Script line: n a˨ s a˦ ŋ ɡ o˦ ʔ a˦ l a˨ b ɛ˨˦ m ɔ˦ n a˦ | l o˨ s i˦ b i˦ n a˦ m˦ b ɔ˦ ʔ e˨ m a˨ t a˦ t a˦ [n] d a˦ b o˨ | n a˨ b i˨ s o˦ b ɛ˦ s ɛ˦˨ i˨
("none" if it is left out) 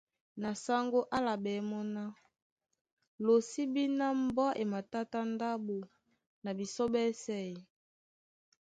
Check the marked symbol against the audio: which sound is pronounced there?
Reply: n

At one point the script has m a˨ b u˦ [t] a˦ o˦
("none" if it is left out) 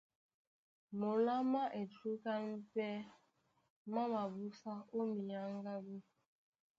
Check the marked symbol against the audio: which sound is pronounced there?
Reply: s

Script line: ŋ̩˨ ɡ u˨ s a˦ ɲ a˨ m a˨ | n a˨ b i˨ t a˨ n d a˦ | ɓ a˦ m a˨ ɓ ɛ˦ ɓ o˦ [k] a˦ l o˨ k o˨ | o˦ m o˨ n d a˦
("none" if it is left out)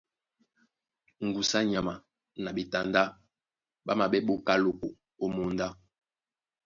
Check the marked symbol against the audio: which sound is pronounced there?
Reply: k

